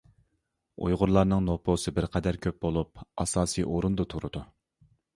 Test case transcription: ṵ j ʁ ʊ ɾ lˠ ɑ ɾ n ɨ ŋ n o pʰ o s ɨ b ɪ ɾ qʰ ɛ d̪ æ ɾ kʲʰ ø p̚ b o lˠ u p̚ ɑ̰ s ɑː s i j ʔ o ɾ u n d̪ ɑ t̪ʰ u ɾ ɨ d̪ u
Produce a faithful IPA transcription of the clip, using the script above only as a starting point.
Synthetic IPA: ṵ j ʁ ʊ ɾ lˠ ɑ ɾ n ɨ ŋ n o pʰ o s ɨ b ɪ ɾ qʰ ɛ d̪ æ ɾ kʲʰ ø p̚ b o lˠ u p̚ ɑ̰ s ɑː s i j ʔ o ɾ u n d̪ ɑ t̪ʰ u ɾ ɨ d̪ u